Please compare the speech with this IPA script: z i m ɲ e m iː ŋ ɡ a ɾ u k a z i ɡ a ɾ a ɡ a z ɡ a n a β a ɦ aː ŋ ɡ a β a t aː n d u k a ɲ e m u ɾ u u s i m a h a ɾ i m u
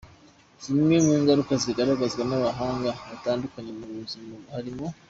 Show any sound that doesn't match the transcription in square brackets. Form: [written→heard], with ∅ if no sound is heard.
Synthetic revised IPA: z i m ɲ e m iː ŋ ɡ a ɾ u k a z i ɡ a ɾ a ɡ a z ɡ a n a β a ɦ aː ŋ ɡ a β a t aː n d u k a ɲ e m u ɾ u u [s→z] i m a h a ɾ i m [u→o]